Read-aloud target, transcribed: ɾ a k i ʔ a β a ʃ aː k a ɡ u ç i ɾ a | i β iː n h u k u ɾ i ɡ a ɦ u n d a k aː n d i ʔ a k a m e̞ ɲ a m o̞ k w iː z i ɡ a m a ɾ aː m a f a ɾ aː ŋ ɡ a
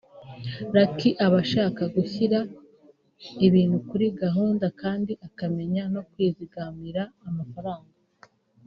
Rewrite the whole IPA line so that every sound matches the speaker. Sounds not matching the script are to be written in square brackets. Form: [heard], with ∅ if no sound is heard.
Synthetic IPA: ɾ a k i ʔ a β a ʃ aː k a ɡ u ç i ɾ a | i β iː n h u k u ɾ i ɡ a ɦ [uː] n d a k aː n d i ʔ a k a m e̞ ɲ a [n] o̞ k w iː z i ɡ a m [i] ɾ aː m a f a ɾ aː ŋ ɡ a